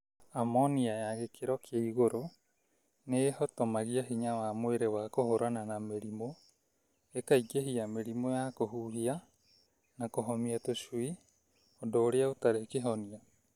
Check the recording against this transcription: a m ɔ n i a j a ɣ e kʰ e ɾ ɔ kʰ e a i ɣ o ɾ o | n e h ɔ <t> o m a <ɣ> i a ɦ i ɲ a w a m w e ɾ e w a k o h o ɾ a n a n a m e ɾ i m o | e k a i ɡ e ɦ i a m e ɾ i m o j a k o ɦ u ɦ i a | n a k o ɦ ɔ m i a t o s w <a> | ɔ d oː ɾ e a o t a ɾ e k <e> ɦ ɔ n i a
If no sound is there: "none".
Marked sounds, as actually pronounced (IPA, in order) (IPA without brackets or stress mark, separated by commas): t, ɣ, i, e